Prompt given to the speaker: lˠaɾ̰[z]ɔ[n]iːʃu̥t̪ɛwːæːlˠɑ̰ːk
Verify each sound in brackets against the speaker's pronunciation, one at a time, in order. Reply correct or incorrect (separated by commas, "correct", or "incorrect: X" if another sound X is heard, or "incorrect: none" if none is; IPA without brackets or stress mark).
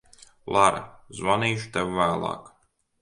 correct, correct